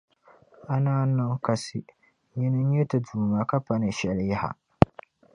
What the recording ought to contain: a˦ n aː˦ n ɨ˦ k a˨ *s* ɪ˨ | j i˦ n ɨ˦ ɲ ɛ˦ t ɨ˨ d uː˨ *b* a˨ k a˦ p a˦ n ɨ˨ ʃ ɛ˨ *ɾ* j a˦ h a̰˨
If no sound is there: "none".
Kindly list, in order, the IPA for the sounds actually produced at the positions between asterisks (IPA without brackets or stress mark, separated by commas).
s, m, l